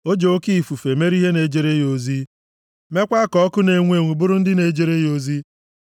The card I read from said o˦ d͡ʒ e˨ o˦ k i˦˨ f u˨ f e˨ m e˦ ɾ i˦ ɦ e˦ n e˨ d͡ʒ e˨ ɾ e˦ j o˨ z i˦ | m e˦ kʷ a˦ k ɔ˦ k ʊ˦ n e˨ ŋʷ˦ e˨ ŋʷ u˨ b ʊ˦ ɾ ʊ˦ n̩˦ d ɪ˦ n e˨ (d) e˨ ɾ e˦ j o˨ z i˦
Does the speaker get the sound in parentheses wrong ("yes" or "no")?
yes